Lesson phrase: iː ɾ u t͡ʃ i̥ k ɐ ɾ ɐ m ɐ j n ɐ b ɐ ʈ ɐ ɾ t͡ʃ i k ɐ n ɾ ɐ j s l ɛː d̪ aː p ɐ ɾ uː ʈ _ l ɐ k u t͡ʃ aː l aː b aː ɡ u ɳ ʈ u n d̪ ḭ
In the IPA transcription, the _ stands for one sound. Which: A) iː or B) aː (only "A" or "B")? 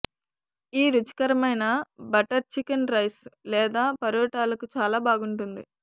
B